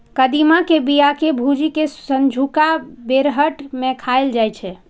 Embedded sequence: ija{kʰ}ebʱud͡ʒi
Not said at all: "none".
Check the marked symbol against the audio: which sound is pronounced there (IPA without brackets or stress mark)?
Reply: k